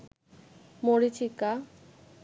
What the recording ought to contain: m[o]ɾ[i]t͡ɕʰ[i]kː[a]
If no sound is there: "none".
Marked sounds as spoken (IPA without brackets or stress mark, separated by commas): o, i, i, a